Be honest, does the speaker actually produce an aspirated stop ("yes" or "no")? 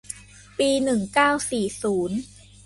no